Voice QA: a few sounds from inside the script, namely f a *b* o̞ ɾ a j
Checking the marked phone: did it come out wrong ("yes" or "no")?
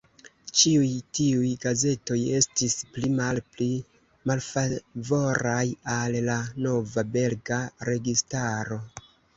yes